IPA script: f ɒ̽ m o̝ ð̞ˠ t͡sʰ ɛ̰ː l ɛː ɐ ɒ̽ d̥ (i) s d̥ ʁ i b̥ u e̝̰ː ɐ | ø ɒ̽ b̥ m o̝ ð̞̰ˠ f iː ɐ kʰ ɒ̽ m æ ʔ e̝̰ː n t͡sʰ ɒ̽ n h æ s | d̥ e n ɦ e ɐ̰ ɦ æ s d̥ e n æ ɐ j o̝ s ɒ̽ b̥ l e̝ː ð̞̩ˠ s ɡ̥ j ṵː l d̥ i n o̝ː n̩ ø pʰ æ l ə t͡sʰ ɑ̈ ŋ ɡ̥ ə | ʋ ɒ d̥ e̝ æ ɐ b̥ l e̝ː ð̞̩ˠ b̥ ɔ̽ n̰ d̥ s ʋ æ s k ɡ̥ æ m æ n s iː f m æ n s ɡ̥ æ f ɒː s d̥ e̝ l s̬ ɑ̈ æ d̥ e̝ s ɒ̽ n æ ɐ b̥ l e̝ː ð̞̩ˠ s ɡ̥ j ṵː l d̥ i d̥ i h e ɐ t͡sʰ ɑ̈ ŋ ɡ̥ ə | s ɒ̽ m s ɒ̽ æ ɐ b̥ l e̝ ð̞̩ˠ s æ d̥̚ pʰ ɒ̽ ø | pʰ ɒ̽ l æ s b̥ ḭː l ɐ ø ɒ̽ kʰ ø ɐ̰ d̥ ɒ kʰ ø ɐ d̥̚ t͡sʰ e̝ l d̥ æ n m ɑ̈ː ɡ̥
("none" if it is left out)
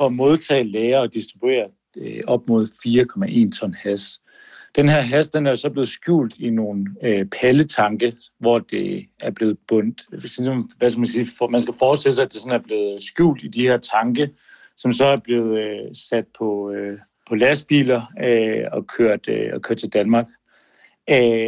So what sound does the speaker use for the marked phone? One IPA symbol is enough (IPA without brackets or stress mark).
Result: i